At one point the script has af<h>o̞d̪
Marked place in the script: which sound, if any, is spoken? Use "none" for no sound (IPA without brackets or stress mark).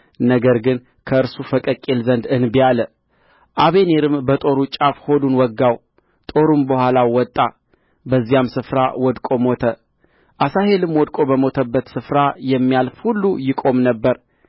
h